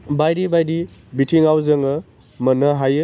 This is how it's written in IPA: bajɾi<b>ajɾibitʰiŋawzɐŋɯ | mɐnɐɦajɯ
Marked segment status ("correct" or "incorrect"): correct